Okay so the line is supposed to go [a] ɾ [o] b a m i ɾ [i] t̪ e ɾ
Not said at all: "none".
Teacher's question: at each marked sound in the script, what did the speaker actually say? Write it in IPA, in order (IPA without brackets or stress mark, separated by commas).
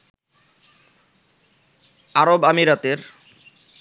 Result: a, o, a